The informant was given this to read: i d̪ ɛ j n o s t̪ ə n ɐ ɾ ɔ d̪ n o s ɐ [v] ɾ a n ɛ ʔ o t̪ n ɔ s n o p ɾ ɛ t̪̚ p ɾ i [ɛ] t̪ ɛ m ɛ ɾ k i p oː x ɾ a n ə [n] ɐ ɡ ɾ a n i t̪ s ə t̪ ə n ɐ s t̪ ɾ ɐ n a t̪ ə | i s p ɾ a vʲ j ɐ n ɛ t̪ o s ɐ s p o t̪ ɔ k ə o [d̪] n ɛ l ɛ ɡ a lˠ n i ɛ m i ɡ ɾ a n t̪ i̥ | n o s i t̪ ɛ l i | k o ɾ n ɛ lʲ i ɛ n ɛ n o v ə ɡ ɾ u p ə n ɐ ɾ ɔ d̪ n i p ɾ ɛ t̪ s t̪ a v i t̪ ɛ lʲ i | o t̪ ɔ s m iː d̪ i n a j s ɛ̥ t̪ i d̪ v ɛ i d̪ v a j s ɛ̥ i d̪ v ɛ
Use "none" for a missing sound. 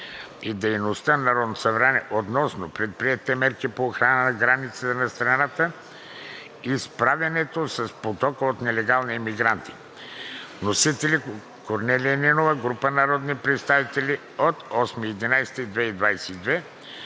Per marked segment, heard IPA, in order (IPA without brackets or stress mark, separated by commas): v, ɛ, n, t̪